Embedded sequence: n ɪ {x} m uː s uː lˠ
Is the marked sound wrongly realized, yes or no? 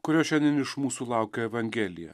yes